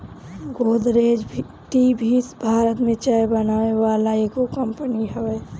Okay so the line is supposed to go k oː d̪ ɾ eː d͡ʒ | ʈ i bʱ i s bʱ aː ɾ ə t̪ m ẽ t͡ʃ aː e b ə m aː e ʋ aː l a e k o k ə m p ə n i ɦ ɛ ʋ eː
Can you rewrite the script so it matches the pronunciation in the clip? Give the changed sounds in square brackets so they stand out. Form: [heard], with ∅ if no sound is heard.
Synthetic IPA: [ɡ] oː d̪ ɾ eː d͡ʒ | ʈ i bʱ i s bʱ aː ɾ ə t̪ m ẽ t͡ʃ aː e b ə [n] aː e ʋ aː l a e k o k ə m p ə n i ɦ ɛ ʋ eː